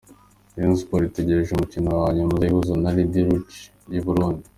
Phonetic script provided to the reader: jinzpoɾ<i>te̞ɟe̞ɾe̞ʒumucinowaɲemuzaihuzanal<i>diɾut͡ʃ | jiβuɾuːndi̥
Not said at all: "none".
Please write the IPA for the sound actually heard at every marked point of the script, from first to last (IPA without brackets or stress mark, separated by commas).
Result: i, i